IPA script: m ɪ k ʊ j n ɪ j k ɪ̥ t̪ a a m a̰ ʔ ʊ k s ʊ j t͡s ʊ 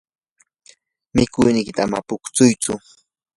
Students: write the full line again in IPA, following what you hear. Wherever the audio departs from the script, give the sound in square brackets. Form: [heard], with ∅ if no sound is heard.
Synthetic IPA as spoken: m ɪ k ʊ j n ɪ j k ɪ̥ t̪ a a m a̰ [p] ʊ k [t͡s] ʊ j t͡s ʊ